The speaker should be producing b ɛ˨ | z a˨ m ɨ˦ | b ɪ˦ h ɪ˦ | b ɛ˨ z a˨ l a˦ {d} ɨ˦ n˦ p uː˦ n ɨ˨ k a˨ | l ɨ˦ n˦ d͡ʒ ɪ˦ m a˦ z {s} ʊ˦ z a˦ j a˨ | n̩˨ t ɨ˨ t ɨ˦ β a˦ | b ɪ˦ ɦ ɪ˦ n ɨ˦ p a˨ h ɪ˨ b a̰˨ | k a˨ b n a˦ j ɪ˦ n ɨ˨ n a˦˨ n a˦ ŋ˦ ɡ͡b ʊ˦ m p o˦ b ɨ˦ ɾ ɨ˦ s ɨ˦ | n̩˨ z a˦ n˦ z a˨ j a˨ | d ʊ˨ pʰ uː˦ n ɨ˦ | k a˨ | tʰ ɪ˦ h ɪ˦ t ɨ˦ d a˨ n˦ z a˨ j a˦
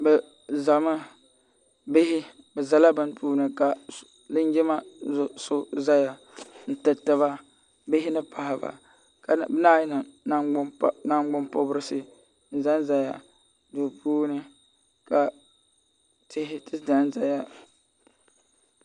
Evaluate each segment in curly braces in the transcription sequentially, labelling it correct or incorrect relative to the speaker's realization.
incorrect: b, correct

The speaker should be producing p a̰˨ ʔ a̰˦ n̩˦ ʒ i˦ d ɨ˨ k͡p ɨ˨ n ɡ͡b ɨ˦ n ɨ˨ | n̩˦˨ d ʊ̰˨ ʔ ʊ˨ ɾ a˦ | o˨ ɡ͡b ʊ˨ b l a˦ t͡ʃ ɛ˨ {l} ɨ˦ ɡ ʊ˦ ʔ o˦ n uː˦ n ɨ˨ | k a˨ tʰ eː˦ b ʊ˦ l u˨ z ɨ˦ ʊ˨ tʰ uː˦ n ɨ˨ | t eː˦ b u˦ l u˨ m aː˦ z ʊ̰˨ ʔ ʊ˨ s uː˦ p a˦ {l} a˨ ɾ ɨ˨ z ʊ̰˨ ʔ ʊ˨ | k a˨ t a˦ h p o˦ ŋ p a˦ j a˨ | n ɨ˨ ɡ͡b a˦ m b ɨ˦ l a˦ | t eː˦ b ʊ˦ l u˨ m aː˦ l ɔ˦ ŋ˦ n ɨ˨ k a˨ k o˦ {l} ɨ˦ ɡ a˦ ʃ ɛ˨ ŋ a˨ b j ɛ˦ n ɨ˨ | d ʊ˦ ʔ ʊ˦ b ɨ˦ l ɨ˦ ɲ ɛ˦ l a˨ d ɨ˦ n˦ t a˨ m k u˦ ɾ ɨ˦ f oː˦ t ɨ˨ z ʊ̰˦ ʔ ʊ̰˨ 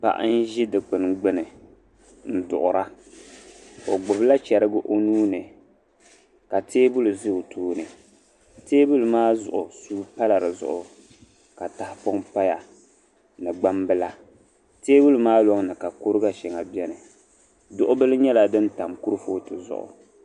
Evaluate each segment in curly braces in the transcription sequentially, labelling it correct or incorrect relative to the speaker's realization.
incorrect: ɾ, correct, incorrect: ɾ

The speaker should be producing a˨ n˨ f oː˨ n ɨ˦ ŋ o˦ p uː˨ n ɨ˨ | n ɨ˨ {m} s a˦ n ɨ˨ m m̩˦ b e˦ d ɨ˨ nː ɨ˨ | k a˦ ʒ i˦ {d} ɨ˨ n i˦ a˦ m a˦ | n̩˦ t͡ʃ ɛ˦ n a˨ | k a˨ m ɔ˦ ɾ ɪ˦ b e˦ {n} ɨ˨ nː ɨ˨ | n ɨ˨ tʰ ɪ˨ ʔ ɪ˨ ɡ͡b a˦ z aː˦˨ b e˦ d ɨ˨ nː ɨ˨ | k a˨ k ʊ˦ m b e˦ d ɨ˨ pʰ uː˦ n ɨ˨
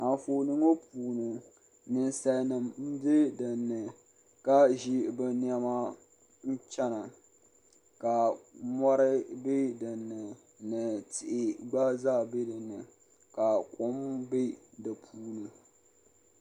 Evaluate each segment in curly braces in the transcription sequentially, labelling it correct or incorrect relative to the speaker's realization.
incorrect: n, incorrect: b, incorrect: d

